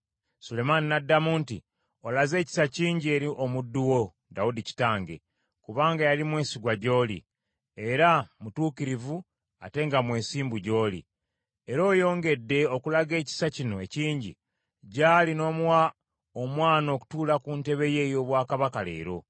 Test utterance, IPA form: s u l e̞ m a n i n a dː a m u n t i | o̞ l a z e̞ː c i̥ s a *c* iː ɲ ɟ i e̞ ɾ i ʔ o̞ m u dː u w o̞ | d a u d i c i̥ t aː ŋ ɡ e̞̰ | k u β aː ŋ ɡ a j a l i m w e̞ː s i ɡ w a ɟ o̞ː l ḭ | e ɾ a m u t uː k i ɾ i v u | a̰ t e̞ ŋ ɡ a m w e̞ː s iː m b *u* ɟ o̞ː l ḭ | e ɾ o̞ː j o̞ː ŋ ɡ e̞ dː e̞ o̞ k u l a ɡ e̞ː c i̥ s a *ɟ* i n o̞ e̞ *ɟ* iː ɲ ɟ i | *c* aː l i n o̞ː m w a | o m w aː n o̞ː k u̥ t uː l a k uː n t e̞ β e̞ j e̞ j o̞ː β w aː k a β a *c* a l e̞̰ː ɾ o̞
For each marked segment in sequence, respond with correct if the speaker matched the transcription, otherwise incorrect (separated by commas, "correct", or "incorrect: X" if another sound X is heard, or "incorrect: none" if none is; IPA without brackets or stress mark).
correct, correct, incorrect: c, incorrect: c, incorrect: ɟ, incorrect: k